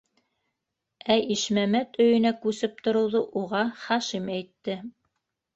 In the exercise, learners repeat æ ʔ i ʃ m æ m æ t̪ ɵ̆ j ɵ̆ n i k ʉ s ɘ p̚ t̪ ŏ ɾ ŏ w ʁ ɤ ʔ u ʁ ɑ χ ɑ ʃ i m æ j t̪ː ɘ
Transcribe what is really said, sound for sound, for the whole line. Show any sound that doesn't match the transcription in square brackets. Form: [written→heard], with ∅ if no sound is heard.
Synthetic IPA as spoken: æ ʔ i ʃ m æ m æ t̪ ɵ̆ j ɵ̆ n [i→æ] k ʉ s ɘ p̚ t̪ ŏ ɾ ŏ w [ʁ→ð] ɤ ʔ u ʁ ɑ χ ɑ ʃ i m æ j t̪ː ɘ